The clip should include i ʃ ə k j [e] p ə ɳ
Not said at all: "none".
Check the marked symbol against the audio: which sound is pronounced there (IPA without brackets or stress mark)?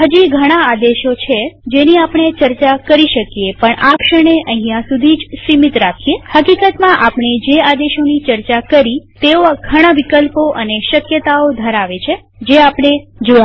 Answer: e